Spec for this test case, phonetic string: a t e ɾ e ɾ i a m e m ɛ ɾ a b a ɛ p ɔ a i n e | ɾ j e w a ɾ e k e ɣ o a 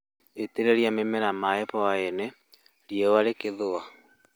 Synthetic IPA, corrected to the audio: e t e ɾ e ɾ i a m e m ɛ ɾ a m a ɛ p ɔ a e n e | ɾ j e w a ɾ e k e ð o a

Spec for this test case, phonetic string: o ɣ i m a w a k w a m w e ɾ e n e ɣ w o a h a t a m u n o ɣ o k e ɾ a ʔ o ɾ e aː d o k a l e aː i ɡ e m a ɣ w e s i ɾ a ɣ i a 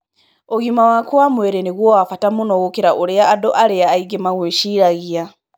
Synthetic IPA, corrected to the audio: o ɣ i m a w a k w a m w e ɾ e n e ɣ w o a f a t a m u n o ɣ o k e ɾ a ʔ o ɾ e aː d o ʔ a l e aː i ɡ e m a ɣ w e ʃ i ɾ a ɣ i a

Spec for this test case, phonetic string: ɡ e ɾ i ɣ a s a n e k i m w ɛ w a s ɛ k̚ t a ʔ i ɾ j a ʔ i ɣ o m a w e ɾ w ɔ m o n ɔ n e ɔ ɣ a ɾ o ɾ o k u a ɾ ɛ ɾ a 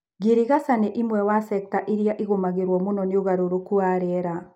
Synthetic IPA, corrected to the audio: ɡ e ɾ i ɣ a s a n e ʔ i m w ɛ w a s ɛ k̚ t a ʔ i ɾ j a ʔ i ɣ o m a ɣ e ɾ w ɔ m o n ɔ n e o ɣ a ɾ o ɾ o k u a ɾ ɛ ɾ a

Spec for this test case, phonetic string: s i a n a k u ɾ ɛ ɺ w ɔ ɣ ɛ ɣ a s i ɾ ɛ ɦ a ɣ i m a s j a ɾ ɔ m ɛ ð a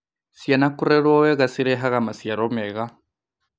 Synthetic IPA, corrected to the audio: s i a n a k u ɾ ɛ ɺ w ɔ w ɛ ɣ a s i ɾ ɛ ɦ a ɣ a m a s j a ɾ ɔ m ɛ ɣ a

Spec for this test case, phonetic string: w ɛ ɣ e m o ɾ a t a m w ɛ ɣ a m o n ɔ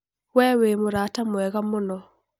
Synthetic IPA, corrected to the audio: w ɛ w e m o ɾ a t a m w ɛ ɣ a m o n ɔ

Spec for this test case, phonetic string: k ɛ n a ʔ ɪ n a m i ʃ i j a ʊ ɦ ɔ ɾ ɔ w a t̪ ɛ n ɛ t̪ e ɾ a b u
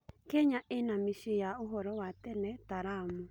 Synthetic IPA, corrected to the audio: k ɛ ɲ a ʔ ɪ n a m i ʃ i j a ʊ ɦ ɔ ɾ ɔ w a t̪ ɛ n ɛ t̪ a ɾ a m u

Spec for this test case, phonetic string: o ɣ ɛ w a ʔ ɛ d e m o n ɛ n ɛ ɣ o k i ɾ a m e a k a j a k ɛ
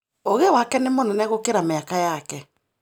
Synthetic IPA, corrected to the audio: o ɣ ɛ w a k ɛ n e m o n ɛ n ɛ ɣ o k e ɾ a m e a k a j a k ɛ

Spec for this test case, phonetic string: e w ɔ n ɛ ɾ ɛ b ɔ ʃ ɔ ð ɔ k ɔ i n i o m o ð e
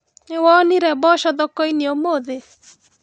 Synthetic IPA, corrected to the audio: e w ɔ n i ɾ ɛ b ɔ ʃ ɔ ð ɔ k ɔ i n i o m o ð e

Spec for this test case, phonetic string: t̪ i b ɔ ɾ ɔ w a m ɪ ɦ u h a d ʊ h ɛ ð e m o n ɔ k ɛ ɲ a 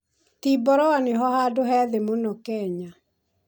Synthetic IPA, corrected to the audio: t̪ i b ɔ ɾ ɔ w a n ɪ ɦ ɔ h a d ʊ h ɛ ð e m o n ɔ k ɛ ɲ a

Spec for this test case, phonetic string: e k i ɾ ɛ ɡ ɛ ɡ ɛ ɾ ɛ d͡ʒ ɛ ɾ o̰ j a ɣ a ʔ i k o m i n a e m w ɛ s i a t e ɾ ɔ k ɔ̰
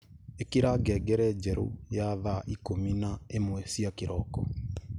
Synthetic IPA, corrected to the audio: e k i ɾ a ɡ ɛ ɡ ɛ ɾ ɛ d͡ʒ ɛ ɾ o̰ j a ð a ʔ i k o m i n a e m w ɛ s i a k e ɾ ɔ k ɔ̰

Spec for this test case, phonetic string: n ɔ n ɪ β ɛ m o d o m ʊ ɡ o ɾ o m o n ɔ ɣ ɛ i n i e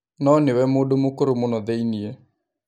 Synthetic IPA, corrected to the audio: n ɔ n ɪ w ɛ m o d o m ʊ k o ɾ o m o n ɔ ð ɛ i n i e

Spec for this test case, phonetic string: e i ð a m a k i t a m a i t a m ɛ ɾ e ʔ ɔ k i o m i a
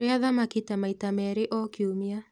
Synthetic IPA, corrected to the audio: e a ð a m a k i t a m a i t a m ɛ ɾ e ʔ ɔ k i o m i a

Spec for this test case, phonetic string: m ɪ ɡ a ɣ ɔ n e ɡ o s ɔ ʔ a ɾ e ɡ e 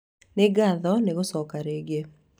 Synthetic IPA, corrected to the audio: n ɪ ɡ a ð ɔ n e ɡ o s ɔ k a ɾ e ɡ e

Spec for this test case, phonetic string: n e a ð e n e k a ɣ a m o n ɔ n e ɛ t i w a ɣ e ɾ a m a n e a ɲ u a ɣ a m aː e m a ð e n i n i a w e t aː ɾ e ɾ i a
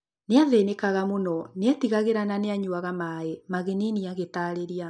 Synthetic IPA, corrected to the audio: n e a ð e n e k a ɣ a m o n ɔ n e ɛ t i ɣ a ɣ e ɾ a n a n e a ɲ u a ɣ a m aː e m a ɣ e n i n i a ɣ e t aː ɾ e ɾ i a

